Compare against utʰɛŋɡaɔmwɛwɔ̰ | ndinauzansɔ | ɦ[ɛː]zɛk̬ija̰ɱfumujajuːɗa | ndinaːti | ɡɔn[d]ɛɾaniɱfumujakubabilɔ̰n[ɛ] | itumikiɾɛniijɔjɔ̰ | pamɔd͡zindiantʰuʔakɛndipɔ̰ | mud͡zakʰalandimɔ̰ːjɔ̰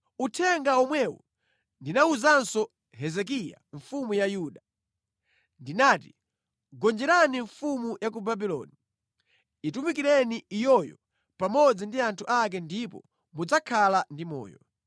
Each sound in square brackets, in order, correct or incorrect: incorrect: ɛ, incorrect: d͡ʒ, incorrect: i

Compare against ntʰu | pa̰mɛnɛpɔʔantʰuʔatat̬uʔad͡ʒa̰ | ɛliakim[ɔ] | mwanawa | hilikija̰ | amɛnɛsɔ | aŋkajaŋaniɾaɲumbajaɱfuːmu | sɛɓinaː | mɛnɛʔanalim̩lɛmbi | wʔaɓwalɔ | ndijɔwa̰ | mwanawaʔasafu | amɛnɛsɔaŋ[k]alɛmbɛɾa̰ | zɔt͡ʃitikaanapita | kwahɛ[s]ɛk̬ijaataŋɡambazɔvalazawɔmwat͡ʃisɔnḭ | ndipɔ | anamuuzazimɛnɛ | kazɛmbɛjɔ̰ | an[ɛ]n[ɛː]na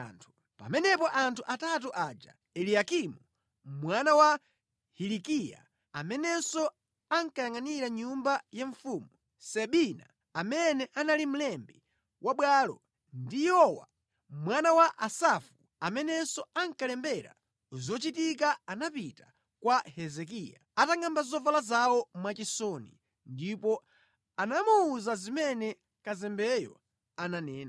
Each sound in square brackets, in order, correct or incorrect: incorrect: u, correct, incorrect: z, incorrect: a, correct

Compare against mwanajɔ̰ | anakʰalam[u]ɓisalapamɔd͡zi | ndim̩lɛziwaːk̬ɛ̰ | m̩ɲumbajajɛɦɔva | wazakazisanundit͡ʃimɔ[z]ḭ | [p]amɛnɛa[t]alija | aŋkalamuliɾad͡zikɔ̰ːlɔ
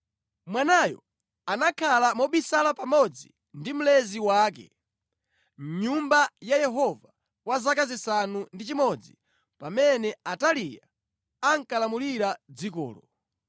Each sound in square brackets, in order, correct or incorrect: incorrect: ɔ, incorrect: d͡z, correct, correct

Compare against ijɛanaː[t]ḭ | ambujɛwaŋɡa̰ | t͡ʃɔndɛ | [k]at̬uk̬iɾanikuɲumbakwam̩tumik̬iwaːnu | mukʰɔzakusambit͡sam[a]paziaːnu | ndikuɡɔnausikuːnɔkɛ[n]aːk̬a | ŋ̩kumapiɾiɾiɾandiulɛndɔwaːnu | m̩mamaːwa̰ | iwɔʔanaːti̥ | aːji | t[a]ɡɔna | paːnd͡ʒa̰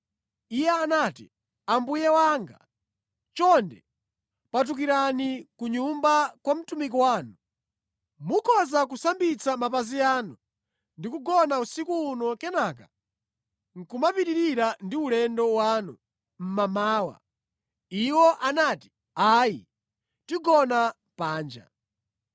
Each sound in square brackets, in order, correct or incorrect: correct, incorrect: p, correct, correct, incorrect: i

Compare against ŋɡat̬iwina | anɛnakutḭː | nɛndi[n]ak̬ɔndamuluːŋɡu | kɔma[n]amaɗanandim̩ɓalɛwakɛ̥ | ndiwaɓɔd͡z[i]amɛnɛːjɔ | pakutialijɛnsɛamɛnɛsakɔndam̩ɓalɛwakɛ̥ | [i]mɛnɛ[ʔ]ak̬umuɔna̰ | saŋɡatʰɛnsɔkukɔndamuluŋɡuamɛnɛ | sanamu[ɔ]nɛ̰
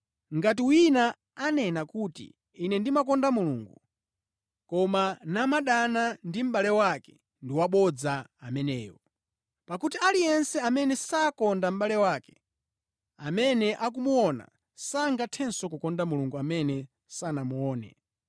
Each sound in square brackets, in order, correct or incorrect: incorrect: m, correct, incorrect: a, incorrect: a, correct, incorrect: ɔː

